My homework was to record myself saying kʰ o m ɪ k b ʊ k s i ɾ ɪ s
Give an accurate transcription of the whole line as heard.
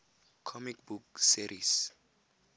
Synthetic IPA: kʰ ɔ m i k b u k s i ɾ i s